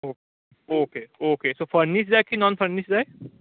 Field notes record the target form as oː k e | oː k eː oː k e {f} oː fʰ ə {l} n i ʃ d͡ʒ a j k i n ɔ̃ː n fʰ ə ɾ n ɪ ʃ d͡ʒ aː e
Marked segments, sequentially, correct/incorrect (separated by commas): incorrect, incorrect